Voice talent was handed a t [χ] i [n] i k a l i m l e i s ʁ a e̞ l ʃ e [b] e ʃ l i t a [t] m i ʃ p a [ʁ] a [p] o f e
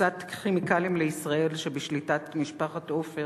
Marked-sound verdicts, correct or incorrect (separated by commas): correct, incorrect, correct, correct, incorrect, incorrect